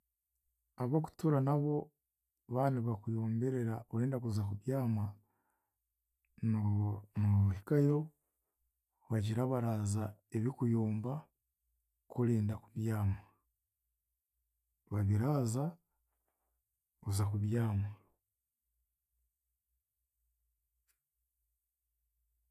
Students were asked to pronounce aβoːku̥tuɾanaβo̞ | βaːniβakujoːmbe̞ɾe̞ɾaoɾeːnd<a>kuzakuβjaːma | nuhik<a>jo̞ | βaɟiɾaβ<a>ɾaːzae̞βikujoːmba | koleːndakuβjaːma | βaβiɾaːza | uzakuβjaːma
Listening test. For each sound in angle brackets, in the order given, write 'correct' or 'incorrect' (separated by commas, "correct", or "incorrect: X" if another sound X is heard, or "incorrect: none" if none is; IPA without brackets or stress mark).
correct, correct, correct